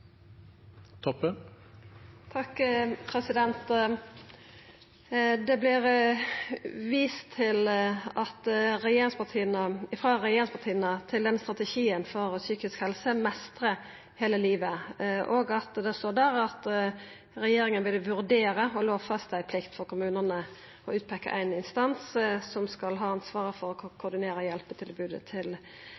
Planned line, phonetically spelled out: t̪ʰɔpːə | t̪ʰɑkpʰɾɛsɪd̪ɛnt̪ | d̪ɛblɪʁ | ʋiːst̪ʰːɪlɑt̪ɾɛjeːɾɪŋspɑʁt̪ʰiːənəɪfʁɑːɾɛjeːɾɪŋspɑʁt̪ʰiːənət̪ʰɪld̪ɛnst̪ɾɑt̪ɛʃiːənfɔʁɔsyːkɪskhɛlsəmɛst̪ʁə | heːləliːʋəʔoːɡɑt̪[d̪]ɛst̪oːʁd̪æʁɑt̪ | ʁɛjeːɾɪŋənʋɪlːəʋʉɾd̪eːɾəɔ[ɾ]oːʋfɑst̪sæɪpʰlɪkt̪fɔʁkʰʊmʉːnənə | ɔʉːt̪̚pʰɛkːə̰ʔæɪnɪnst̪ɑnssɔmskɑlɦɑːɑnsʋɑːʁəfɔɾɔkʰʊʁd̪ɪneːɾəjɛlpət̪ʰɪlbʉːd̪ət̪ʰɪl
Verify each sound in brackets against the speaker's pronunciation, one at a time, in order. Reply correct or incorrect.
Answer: correct, incorrect: l

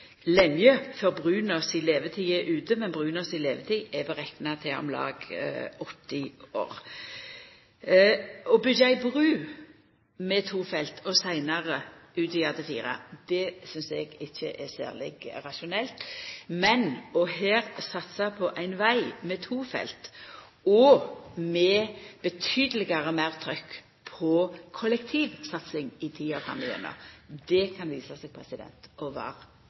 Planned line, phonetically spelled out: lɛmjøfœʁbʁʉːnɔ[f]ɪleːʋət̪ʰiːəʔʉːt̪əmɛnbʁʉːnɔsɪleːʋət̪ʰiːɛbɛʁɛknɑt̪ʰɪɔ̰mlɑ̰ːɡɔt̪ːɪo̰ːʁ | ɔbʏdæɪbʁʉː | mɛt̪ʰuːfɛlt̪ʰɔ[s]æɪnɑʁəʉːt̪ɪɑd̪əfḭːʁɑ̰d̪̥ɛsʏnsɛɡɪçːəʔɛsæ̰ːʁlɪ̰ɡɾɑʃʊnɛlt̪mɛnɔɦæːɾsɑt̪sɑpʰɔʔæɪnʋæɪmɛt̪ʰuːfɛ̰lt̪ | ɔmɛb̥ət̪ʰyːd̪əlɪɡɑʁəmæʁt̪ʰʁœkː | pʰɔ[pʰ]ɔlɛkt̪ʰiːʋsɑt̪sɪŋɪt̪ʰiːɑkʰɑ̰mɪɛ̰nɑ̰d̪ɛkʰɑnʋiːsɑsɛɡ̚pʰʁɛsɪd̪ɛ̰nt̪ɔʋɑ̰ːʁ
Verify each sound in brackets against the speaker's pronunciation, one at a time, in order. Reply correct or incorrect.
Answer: incorrect: s, correct, incorrect: kʰ

